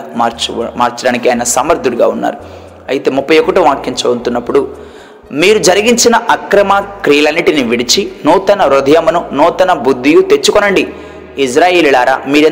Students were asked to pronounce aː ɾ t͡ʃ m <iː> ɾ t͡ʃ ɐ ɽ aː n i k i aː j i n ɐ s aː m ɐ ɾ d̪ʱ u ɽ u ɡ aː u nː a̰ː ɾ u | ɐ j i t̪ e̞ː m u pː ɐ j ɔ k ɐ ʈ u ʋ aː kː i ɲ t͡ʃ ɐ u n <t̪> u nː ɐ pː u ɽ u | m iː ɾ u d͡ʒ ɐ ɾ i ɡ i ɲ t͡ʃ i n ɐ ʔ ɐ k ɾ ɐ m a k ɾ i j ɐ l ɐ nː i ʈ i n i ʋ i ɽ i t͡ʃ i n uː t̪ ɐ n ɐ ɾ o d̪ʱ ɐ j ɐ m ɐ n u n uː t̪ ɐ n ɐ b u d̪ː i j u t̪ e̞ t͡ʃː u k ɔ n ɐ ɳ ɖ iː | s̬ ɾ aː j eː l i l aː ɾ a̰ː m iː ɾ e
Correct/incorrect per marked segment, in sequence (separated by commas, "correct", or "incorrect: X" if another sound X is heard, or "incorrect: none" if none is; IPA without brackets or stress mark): incorrect: aː, correct